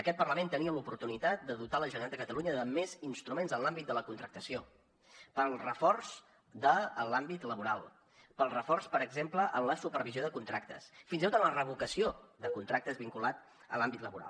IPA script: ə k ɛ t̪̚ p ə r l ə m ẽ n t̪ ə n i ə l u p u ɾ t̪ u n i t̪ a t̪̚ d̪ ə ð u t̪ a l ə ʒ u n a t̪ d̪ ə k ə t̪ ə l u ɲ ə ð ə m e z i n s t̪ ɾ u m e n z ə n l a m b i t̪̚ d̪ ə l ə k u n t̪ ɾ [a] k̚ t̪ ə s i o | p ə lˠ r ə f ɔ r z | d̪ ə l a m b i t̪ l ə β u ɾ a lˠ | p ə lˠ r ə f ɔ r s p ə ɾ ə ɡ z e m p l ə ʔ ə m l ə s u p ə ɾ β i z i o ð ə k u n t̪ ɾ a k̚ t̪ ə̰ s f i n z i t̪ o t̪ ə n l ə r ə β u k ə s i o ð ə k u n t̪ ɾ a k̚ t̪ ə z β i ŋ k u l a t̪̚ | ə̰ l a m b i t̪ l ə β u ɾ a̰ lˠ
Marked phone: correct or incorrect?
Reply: incorrect: ə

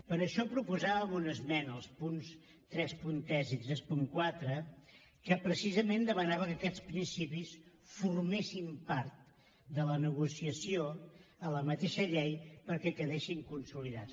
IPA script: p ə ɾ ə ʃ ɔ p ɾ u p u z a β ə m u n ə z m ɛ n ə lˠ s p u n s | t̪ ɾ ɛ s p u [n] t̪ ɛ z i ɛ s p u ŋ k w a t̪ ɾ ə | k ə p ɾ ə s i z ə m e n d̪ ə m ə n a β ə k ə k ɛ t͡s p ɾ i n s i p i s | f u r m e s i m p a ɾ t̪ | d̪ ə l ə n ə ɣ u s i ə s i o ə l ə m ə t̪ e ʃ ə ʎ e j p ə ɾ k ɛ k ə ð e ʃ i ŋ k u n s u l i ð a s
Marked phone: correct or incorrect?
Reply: correct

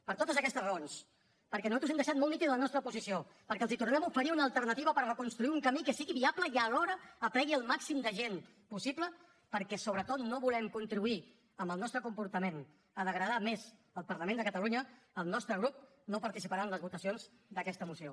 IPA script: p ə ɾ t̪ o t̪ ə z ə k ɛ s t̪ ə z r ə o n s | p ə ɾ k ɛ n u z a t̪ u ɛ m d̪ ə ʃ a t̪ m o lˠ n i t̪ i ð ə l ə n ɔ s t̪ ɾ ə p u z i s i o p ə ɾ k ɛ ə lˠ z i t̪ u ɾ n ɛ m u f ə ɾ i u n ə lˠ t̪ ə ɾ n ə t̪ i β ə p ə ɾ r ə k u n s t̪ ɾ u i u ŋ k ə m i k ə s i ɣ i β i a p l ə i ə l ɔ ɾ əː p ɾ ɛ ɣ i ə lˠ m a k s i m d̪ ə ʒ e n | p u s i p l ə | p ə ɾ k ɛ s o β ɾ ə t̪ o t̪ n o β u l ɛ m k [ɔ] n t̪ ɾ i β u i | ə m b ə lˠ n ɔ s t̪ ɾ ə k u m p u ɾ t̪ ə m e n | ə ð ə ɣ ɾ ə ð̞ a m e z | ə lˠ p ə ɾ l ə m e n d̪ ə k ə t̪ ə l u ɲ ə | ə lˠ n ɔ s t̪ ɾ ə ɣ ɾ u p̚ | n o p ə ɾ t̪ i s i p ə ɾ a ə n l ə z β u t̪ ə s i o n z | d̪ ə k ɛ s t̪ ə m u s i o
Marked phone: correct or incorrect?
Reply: incorrect: u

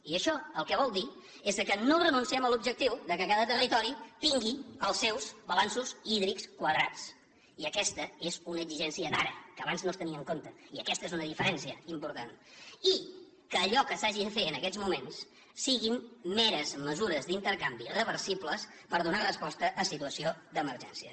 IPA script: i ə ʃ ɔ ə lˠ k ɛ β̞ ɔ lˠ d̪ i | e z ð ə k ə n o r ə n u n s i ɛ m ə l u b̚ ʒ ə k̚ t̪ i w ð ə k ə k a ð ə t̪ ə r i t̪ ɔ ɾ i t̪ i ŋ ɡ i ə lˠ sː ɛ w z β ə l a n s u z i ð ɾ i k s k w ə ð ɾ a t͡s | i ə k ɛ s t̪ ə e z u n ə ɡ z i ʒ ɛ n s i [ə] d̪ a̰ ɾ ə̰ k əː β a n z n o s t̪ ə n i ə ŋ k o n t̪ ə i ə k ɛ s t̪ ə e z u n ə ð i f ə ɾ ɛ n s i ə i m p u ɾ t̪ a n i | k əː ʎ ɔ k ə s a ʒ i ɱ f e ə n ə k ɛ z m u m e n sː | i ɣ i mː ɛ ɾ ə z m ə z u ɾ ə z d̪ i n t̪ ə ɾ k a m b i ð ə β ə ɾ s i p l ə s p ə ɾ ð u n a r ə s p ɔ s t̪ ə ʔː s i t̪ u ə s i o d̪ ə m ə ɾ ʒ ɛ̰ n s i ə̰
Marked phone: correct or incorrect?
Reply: correct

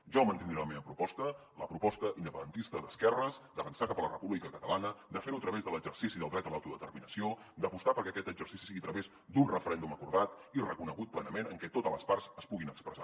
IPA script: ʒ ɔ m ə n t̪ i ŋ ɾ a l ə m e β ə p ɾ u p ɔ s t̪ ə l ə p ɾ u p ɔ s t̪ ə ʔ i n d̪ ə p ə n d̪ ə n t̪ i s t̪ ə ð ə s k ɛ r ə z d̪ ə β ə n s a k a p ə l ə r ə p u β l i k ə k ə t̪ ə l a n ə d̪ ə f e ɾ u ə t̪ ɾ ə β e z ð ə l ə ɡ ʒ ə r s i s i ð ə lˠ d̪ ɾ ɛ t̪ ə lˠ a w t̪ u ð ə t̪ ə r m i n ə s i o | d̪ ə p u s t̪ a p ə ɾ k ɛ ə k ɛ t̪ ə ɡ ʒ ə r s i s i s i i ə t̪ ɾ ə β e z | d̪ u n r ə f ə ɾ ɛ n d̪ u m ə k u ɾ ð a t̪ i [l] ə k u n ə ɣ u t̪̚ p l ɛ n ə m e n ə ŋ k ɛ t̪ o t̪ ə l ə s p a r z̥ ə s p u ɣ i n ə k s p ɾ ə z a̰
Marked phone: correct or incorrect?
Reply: incorrect: r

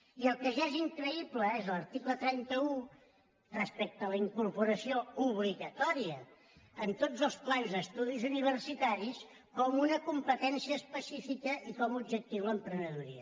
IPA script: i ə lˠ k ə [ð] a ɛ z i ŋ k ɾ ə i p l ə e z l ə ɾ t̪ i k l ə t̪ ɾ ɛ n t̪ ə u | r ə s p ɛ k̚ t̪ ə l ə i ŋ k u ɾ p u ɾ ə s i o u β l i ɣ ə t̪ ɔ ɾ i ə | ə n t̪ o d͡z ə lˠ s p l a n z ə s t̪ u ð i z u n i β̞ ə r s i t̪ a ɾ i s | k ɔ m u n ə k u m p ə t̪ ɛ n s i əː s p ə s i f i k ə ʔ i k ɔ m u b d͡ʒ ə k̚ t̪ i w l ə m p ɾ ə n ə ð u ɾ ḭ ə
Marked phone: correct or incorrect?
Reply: incorrect: ʒ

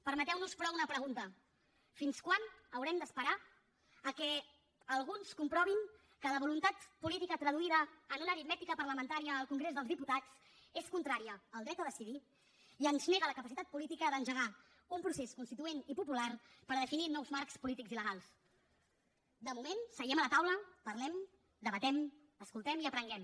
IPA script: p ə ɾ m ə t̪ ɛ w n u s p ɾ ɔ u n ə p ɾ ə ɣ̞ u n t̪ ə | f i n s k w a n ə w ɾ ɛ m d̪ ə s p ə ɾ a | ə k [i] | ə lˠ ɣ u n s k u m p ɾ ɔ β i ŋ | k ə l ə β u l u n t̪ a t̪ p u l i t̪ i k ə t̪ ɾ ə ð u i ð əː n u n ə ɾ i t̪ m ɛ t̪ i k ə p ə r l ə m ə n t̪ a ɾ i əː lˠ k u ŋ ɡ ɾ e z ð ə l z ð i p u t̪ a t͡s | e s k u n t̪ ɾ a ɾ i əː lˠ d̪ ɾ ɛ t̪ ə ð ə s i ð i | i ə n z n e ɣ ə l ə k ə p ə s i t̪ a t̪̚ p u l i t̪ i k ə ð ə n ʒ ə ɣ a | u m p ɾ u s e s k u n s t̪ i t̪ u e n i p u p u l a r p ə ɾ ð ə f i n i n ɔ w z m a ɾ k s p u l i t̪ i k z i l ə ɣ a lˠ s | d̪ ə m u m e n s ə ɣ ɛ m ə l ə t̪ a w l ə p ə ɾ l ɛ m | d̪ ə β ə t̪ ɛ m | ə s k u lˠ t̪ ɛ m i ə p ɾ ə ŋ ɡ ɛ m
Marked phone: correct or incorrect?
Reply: incorrect: ɛ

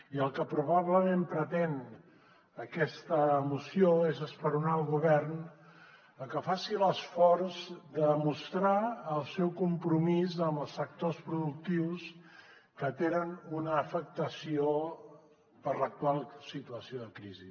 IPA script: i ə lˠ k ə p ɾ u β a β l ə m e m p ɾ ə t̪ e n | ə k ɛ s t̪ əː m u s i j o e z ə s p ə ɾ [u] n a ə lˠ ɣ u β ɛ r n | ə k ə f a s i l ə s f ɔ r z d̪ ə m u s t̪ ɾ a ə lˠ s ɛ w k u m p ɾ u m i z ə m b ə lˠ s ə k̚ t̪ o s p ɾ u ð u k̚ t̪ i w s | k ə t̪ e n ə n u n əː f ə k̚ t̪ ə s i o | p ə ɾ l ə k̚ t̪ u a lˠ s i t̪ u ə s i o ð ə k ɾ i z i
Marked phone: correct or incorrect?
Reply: correct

